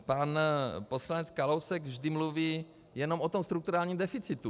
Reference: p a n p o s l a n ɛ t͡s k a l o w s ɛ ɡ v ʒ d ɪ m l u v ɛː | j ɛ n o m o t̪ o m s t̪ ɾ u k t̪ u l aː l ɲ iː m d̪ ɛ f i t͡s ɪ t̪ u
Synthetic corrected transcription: p a n p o s l a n ɛ t͡s k a l o w s ɛ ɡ v ʒ d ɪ m l u v iː | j ɛ n o m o t̪ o m s t̪ ɾ u k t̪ u ɾ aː l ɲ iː m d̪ ɛ f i t͡s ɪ t̪ u